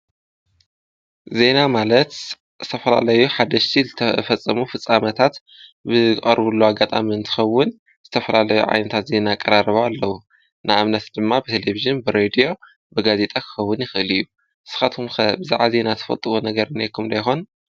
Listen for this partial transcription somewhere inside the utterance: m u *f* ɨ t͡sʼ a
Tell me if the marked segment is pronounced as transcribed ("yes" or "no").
yes